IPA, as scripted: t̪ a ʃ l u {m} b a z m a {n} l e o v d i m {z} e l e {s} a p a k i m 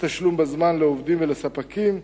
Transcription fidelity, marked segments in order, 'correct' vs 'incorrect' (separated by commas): correct, correct, incorrect, correct